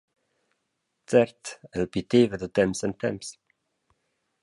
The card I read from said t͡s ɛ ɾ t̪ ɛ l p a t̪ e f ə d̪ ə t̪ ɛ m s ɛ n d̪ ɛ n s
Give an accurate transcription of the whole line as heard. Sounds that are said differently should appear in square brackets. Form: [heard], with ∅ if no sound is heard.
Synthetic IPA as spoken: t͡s ɛ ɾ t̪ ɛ l p [i] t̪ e [v] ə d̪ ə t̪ ɛ m s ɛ n [t̪] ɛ [m] s